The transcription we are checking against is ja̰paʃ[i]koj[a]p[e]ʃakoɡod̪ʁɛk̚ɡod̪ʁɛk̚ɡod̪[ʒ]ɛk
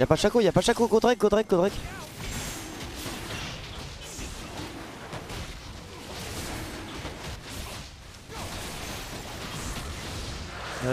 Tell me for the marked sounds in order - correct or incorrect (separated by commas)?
incorrect, correct, incorrect, incorrect